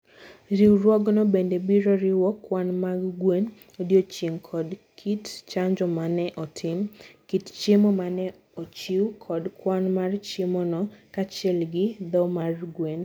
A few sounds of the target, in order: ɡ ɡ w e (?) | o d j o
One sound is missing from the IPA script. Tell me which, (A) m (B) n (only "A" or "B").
B